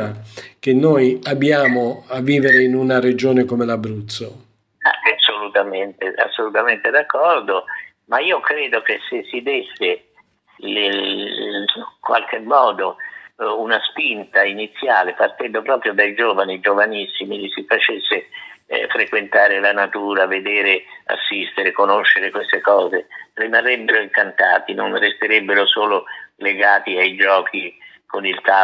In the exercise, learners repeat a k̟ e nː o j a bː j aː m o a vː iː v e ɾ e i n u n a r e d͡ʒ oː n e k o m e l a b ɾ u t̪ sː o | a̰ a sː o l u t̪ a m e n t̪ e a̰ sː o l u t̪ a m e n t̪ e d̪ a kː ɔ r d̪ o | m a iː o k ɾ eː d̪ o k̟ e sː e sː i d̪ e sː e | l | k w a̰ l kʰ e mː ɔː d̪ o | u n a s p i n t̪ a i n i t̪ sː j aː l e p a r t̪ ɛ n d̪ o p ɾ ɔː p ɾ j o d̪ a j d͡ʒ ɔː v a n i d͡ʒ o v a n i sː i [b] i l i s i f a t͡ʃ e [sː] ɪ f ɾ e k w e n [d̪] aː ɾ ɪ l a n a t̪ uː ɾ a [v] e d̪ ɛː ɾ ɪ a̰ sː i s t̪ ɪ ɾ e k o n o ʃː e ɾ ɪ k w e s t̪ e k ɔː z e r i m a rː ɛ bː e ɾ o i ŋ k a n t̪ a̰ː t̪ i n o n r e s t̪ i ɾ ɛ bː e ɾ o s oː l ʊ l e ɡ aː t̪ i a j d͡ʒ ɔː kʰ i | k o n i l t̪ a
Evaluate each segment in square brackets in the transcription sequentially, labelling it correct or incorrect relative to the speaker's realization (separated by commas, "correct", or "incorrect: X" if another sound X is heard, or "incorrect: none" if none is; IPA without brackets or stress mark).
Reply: incorrect: m, correct, incorrect: t̪, correct